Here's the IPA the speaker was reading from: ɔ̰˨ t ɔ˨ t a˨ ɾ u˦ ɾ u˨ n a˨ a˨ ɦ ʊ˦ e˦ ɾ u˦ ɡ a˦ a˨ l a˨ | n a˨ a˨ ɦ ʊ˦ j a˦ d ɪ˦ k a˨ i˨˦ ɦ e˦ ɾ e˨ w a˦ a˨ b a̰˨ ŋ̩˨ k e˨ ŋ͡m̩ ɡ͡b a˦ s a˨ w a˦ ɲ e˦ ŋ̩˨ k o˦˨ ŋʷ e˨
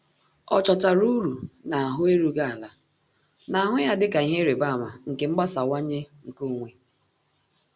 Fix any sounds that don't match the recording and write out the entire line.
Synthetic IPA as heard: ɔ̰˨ t͡ʃ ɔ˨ t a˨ ɾ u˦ ɾ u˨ n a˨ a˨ ɦ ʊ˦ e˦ ɾ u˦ ɡ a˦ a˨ l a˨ | n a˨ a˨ ɦ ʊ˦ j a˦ d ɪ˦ k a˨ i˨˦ ɦ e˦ ɾ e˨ b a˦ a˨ m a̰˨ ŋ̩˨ k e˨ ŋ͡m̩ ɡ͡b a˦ s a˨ w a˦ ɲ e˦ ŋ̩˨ k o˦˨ ŋʷ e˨

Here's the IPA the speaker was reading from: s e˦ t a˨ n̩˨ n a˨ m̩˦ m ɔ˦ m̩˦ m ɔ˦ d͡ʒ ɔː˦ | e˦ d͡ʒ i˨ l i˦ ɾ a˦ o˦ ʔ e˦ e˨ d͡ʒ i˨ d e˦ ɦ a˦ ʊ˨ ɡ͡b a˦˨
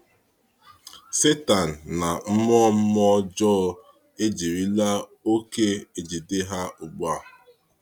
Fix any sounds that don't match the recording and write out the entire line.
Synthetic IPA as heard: s e˦ t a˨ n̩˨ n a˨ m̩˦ m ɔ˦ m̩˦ m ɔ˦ d͡ʒ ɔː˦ | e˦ d͡ʒ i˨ ɾ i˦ l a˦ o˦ k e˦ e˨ d͡ʒ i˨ d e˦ ɦ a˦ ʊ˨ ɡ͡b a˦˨

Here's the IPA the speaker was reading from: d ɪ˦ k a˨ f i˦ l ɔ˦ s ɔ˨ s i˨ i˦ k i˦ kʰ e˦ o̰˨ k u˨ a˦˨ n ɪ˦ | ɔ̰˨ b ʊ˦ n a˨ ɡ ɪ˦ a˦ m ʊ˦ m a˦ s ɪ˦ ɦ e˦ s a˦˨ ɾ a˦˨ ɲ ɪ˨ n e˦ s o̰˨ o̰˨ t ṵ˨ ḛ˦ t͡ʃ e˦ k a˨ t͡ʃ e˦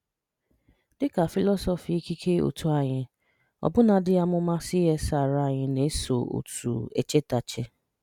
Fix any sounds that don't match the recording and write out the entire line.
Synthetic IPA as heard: d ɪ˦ k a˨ f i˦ l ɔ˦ s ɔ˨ f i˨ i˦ k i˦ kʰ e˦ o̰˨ t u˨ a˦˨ ɲ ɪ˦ | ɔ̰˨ b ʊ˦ n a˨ d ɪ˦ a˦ m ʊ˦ m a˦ s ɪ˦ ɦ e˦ s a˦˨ ɾ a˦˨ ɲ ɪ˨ n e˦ s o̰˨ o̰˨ t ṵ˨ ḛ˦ t͡ʃ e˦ t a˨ t͡ʃ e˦

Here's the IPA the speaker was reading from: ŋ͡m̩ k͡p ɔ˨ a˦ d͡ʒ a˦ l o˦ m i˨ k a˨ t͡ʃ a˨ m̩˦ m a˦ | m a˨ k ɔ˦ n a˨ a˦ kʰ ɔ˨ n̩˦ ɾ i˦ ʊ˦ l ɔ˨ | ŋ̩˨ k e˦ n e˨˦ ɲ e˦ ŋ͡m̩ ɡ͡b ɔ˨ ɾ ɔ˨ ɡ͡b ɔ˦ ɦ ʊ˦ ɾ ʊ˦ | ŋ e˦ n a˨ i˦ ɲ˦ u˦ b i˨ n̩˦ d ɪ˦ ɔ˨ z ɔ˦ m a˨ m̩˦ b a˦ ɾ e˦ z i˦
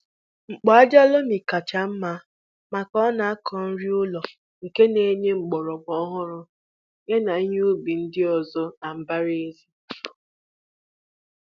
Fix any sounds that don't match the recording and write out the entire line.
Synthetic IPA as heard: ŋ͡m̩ k͡p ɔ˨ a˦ d͡ʒ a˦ l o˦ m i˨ k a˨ t͡ʃ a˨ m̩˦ m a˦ | m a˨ k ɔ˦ n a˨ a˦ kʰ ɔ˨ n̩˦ ɾ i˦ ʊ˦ l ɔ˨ | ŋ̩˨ k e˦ n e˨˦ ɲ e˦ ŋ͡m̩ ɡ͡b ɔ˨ ɾ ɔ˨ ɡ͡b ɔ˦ ɦ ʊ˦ ɾ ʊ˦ | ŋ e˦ n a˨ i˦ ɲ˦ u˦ b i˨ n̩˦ d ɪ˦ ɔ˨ z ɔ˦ n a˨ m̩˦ b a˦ ɾ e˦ z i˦

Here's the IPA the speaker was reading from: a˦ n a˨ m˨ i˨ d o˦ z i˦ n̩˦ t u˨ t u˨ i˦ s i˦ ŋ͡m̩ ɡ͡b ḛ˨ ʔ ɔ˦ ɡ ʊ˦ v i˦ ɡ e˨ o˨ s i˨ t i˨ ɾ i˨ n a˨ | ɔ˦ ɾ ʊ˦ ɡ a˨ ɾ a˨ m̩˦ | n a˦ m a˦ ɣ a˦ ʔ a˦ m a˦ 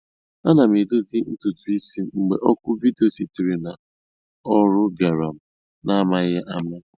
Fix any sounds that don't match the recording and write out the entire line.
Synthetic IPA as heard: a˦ n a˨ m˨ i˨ d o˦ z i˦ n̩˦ t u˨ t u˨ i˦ s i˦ ŋ͡m̩ ɡ͡b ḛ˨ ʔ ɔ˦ k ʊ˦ v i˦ d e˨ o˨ s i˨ t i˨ ɾ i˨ n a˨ | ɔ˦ ɾ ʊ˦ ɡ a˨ ɾ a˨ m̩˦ | n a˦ m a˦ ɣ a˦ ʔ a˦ m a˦

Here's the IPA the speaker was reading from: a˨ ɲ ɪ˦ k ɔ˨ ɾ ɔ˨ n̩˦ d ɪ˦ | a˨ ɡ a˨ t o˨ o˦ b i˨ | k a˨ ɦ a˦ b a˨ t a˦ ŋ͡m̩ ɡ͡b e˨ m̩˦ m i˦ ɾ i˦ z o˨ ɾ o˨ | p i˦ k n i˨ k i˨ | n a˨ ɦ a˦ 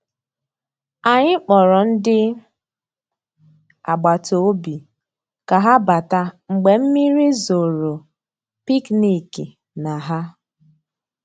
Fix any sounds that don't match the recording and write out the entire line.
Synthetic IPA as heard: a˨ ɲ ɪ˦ k͡p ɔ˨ ɾ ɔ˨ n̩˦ d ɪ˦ | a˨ ɡ͡b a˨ t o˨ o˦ b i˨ | k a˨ ɦ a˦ b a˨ t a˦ ŋ͡m̩ ɡ͡b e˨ m̩˦ m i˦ ɾ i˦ z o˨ ɾ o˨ | p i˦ k n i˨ k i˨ | n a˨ ɦ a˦

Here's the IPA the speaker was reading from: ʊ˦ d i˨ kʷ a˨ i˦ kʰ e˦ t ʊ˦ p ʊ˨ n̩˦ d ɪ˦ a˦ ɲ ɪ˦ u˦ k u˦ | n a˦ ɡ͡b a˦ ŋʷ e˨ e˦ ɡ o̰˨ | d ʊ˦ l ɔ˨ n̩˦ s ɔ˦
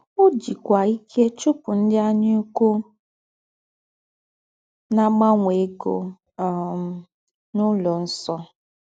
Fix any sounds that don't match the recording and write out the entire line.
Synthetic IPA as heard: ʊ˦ d͡ʒ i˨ kʷ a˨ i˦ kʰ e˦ t͡ʃ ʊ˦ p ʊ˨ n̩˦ d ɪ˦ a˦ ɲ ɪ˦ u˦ k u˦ | n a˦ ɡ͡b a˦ ŋʷ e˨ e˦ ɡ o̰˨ | n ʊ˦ l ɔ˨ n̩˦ s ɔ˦

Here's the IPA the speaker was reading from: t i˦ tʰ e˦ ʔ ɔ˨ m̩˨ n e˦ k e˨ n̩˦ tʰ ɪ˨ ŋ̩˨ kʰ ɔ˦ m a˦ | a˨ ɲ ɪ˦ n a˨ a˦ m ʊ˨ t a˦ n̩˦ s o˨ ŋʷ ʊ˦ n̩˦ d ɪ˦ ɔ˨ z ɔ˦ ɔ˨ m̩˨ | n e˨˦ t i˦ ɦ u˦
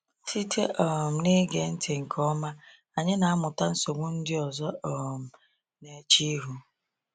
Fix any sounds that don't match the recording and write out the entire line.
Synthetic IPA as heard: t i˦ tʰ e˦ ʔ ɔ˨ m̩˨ n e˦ ɡ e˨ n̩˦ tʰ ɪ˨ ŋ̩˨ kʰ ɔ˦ m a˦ | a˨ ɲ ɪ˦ n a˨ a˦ m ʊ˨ t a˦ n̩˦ s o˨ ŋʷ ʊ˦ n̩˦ d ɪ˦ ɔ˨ z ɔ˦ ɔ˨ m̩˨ | n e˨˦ t͡ʃ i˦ ɦ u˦

